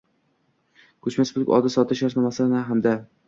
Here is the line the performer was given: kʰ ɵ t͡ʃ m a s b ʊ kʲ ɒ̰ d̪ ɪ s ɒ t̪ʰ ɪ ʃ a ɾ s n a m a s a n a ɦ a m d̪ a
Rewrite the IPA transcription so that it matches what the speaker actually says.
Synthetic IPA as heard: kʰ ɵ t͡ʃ m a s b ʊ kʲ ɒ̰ d̪ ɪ s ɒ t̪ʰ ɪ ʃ a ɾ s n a m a s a n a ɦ a m d̪ a